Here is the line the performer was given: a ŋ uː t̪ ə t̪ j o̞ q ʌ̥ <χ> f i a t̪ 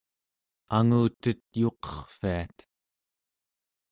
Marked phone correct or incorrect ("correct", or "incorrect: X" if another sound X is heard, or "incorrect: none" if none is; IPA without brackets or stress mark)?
correct